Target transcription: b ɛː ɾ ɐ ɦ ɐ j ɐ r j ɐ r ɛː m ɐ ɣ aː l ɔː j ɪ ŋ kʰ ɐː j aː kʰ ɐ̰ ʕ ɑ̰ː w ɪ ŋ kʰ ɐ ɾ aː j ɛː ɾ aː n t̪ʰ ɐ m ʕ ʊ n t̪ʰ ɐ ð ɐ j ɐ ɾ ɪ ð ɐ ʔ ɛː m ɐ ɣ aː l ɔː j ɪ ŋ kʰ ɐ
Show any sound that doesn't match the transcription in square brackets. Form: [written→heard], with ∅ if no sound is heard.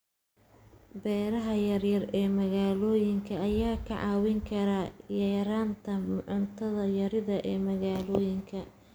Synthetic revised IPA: b ɛː ɾ ɐ ɦ ɐ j ɐ r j ɐ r ɛː m ɐ ɣ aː l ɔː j ɪ ŋ kʰ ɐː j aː kʰ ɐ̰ ʕ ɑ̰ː w ɪ ŋ kʰ ɐ ɾ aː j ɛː ɾ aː n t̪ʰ ɐ m ʕ ʊ n t̪ʰ ɐ ð ɐ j ɐ ɾ ɪ ð ɐ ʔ ɛː m ɐ ɣ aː l ɔː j ɪ ŋ kʰ ɐ